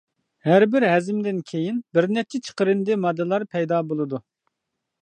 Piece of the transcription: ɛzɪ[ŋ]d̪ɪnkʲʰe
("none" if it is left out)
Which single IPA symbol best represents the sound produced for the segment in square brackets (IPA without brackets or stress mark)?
m